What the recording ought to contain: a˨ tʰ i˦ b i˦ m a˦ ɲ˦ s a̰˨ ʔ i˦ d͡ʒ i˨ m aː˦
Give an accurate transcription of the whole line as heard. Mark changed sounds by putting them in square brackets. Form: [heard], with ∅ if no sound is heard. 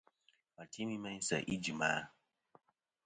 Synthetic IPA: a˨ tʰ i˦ [m] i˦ m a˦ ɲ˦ s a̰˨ ʔ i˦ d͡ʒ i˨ m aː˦